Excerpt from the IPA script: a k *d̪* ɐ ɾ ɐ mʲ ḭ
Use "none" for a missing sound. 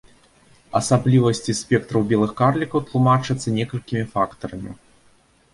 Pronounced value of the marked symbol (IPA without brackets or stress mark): t̪